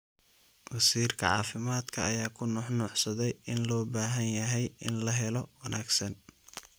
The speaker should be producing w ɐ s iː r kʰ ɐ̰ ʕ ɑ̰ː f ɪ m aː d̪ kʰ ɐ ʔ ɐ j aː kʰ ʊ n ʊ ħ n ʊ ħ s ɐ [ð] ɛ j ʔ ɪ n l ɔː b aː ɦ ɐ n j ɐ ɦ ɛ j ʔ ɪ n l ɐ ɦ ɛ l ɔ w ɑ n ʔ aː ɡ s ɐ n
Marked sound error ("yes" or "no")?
no